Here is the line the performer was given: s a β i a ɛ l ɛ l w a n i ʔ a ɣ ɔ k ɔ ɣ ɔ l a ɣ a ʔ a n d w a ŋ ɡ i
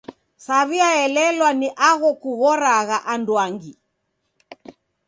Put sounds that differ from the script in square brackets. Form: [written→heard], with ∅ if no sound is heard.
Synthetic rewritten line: s a β i a ɛ l ɛ l w a n i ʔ a ɣ ɔ k [ɔ→u] ɣ ɔ [l→ɾ] a ɣ a ʔ a n d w a ŋ ɡ i